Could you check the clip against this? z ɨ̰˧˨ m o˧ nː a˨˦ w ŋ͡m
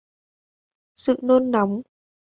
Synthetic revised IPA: s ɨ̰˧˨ n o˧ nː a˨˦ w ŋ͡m